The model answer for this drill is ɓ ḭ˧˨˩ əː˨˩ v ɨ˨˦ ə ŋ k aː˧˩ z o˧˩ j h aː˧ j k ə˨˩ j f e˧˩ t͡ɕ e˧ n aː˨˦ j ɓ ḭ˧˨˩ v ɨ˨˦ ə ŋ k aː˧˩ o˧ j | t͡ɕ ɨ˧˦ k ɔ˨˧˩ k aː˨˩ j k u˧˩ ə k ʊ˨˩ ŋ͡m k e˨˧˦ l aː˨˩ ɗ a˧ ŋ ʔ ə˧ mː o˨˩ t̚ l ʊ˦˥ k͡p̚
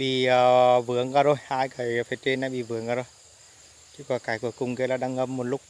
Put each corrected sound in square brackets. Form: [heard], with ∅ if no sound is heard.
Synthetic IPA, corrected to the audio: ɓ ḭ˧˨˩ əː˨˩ v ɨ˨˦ ə ŋ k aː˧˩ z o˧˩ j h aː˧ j k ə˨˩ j f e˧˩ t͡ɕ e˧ n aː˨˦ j ɓ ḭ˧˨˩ v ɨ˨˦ ə ŋ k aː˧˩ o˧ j | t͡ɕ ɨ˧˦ k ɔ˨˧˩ k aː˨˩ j k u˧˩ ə k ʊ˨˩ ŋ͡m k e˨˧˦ l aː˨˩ ɗ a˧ ŋ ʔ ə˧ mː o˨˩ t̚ l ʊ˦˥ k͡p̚